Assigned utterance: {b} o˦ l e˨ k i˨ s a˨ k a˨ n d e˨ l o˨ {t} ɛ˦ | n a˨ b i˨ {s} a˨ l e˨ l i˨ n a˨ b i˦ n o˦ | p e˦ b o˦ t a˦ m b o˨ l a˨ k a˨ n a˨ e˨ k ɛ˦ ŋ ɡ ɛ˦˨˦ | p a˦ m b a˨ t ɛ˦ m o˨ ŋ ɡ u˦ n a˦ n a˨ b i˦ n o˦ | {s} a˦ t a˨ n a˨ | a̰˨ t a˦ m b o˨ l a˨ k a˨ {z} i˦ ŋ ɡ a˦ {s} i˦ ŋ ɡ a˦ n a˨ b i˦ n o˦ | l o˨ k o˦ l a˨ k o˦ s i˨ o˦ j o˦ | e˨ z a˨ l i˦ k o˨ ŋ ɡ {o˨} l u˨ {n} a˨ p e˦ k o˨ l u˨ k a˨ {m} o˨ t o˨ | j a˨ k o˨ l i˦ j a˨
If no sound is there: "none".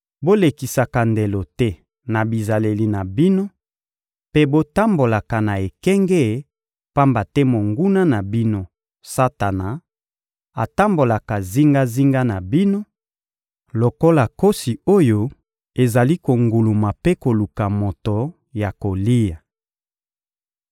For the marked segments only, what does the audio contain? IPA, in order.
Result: b, t, z, s, z, z, u˨, m, m

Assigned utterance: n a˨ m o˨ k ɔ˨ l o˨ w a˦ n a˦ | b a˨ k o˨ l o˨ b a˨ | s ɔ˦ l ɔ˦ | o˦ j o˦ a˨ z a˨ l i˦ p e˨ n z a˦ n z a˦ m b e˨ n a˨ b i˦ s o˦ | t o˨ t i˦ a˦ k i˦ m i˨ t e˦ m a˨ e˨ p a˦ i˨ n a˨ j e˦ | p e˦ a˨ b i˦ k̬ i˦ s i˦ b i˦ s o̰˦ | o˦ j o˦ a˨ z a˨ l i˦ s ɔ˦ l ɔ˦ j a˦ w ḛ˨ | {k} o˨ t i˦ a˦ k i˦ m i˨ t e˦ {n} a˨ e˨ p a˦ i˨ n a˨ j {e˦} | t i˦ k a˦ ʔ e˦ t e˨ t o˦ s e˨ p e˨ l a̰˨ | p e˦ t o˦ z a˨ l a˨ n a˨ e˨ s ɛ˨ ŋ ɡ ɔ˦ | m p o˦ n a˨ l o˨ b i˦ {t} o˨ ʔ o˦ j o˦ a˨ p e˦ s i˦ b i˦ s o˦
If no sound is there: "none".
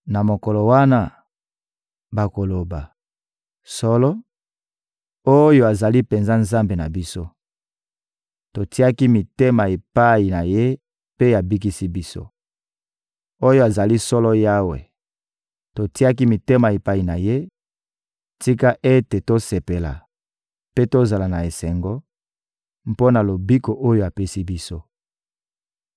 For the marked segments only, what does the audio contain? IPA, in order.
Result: t, m, e˦, k

